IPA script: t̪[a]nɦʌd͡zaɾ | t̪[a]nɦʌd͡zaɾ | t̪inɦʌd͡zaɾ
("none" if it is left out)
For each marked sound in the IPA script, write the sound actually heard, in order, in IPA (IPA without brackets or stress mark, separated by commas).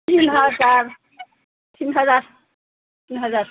i, i